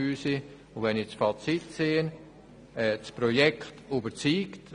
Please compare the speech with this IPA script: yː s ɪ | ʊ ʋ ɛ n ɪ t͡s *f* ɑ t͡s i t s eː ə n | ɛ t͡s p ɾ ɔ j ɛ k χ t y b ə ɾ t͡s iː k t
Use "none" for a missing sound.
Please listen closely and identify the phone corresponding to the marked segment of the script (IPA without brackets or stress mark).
f